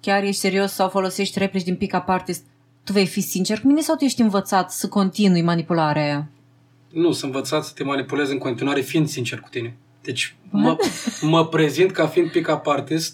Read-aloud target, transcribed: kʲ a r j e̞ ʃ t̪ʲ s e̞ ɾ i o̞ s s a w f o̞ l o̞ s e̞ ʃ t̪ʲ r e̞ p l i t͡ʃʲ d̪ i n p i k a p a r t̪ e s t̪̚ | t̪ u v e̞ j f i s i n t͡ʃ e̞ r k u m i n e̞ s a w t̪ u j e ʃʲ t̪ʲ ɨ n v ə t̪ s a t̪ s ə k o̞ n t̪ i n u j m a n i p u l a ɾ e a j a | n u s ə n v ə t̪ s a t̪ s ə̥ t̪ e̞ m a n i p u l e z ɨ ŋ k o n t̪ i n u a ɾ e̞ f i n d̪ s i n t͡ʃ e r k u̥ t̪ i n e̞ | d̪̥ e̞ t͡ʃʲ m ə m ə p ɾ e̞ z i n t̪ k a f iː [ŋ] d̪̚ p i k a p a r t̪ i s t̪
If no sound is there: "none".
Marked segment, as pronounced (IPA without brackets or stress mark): n